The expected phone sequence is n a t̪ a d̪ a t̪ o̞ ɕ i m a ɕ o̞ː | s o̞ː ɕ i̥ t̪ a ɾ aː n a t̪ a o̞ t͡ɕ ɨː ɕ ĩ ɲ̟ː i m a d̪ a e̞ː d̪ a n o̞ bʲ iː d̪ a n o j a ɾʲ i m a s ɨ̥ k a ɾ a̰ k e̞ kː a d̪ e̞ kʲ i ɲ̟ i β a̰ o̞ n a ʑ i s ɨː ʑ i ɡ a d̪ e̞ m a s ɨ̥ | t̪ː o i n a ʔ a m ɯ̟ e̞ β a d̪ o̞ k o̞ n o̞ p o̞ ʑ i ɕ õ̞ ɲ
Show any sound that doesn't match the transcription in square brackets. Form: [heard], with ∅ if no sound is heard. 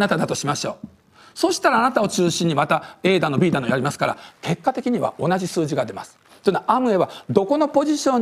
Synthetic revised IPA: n a t̪ a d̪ a t̪ o̞ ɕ i m a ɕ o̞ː | s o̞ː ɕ i̥ t̪ a ɾ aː n a t̪ a o̞ t͡ɕ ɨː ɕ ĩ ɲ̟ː i m a [t̪] a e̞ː d̪ a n o̞ bʲ iː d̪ a n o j a ɾʲ i m a s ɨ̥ k a ɾ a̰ k e̞ kː a [t̪] e̞ kʲ i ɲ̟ i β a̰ o̞ n a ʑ i s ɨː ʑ i ɡ a d̪ e̞ m a s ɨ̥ | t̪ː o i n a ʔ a m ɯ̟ e̞ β a d̪ o̞ k o̞ n o̞ p o̞ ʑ i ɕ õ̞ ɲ

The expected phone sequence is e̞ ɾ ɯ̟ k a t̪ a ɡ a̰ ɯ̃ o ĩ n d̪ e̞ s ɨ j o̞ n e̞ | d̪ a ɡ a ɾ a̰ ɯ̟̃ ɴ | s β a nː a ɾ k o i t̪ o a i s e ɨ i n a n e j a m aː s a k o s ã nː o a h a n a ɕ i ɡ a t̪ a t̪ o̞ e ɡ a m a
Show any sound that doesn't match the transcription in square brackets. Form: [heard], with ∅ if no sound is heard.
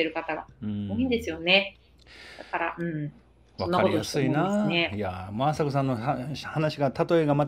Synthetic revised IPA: e̞ ɾ ɯ̟ k a t̪ a ɡ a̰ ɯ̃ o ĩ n d̪ e̞ s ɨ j o̞ n e̞ | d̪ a [k] a ɾ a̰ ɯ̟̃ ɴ | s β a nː a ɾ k o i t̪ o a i s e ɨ i n a n e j a m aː s a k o s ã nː o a h a n a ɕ i ɡ a t̪ a t̪ o̞ e ɡ a m a

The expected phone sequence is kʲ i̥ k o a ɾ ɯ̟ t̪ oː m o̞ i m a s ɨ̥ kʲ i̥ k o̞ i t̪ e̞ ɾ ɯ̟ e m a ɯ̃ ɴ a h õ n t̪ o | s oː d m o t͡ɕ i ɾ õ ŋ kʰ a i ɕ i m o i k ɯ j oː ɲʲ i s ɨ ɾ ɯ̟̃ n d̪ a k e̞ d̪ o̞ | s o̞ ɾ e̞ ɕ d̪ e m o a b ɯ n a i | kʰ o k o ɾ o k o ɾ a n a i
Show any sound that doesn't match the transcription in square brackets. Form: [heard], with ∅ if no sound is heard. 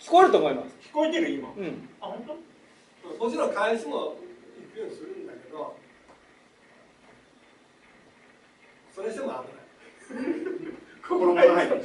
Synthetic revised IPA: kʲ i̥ k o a ɾ ɯ̟ t̪ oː m o̞ i m a s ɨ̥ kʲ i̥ k o̞ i t̪ e̞ ɾ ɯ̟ [i] m a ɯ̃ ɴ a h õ n t̪ o | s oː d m o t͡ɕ i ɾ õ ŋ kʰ a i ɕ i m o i k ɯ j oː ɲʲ i s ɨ ɾ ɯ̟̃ n d̪ a k e̞ d̪ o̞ | s o̞ ɾ e̞ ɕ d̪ e m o a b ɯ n a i | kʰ o k o ɾ o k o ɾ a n a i

